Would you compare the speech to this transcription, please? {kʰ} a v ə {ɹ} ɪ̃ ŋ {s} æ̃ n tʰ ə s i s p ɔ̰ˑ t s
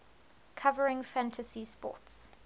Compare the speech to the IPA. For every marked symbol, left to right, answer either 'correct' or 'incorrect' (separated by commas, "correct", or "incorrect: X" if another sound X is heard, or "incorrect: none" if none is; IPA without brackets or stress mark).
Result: correct, correct, incorrect: f